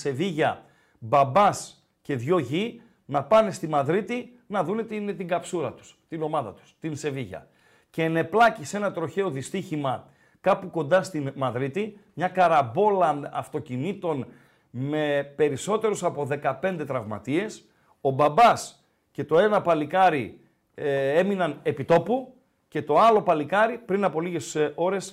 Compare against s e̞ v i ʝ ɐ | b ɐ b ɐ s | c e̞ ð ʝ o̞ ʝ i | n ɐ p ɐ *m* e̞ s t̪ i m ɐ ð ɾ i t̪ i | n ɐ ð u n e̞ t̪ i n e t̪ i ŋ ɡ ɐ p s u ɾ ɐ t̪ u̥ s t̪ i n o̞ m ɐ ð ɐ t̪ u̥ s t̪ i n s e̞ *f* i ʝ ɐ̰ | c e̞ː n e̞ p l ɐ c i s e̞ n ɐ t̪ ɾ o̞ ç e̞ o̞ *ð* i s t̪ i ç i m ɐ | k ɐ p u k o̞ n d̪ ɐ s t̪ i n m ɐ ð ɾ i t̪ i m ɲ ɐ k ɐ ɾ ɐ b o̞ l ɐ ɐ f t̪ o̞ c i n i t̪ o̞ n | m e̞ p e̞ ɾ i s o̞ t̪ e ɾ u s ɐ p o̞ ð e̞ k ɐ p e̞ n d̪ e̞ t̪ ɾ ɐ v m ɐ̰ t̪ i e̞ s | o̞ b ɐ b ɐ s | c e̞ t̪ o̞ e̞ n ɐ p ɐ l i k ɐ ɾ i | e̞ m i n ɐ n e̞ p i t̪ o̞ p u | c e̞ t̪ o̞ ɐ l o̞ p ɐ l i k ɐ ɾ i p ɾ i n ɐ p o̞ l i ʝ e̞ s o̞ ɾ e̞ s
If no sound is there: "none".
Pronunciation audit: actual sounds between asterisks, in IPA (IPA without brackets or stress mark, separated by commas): n, v, ð